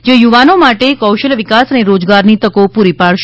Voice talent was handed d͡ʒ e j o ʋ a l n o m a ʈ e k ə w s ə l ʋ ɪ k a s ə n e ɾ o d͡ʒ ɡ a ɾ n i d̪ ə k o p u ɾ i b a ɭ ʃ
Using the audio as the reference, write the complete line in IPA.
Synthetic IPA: d͡ʒ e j u ʋ a n o m a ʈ e k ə w ʃ ə l ʋ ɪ k a s ə n e ɾ o d͡ʒ ɡ a ɾ n i t̪ ə k o p u ɾ i p a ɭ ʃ